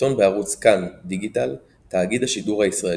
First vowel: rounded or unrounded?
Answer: rounded